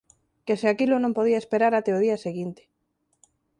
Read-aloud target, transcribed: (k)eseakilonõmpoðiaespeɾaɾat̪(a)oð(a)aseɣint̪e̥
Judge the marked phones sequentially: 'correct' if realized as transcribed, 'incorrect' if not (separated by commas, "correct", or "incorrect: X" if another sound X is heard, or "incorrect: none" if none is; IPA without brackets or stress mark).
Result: correct, incorrect: e, incorrect: i